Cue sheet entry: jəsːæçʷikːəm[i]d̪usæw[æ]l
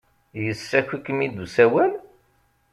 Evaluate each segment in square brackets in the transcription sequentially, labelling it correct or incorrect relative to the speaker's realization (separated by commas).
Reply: correct, correct